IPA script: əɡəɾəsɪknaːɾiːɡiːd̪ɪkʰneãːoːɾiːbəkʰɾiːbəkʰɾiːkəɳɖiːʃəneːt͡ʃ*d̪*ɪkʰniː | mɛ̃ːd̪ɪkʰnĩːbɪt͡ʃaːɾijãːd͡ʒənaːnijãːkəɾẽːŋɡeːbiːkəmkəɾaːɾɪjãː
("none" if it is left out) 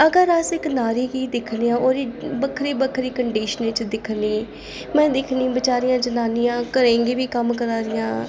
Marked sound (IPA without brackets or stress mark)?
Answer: d̪